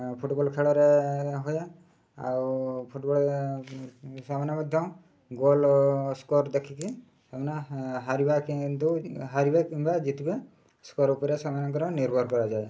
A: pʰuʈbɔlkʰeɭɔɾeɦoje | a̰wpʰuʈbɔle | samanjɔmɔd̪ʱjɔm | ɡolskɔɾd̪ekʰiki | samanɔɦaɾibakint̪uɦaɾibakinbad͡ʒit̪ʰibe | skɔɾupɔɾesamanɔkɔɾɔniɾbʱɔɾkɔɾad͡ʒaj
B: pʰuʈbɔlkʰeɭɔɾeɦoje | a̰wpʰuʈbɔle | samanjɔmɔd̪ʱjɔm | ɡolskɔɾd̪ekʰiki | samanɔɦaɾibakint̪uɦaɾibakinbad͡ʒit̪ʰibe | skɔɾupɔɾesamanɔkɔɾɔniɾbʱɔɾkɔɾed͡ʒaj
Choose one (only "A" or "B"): A